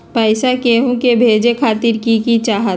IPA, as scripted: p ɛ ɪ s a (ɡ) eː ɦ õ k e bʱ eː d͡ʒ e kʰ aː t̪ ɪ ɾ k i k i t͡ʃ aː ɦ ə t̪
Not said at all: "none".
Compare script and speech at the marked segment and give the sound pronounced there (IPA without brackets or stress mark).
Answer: k